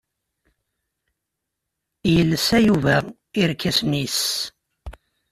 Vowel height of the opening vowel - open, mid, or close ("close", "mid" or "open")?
mid